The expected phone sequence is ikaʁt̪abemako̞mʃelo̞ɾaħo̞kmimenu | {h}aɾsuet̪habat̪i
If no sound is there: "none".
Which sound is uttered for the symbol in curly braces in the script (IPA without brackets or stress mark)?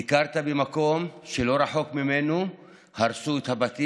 h